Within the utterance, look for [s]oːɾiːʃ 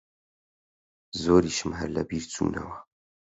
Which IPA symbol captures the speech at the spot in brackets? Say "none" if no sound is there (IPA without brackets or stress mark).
z